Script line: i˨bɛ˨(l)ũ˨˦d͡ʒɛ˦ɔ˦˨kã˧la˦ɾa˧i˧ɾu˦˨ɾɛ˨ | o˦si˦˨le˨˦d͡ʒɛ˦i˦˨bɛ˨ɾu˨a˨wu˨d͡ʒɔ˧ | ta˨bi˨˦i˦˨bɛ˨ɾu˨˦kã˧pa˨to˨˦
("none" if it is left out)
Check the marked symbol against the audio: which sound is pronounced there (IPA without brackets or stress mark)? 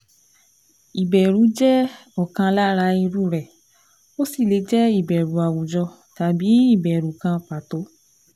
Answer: ɾ